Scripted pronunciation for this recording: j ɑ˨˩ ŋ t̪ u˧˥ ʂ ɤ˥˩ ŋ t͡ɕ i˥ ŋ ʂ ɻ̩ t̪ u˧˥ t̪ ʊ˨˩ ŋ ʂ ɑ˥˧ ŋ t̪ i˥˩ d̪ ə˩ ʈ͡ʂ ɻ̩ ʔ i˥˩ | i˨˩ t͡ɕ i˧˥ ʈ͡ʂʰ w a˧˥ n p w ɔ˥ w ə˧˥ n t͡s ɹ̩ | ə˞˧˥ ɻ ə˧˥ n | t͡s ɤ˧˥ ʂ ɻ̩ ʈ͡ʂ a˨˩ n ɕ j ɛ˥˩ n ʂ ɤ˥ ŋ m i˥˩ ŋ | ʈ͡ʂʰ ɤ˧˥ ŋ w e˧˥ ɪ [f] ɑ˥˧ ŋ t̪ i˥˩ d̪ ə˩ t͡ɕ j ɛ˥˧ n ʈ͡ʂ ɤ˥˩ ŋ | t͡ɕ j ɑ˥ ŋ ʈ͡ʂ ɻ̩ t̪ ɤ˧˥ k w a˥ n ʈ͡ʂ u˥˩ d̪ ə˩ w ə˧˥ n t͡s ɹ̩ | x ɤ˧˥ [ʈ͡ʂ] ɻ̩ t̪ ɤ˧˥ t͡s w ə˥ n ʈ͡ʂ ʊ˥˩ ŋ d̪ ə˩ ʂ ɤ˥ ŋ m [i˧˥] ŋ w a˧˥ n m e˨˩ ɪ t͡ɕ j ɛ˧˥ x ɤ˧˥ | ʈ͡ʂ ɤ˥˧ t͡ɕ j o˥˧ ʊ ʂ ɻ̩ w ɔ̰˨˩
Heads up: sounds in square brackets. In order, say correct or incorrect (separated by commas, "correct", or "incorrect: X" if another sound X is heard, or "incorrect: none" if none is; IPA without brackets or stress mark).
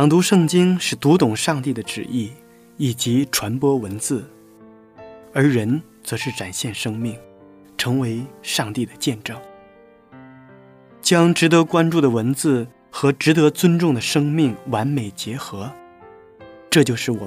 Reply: incorrect: ʂ, correct, incorrect: i˥˩